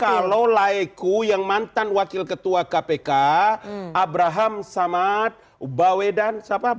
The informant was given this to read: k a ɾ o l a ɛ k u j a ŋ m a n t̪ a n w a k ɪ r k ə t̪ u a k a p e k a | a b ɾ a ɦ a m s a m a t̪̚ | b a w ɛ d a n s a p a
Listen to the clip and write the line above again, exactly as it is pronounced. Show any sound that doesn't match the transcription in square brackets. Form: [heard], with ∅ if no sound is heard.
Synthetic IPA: k a [l] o l a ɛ k u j a ŋ m a n t̪ a n w a k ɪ [l] k ə t̪ u a k a p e k a | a b ɾ a ɦ a m s a m a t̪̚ | b a w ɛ d a n s a p a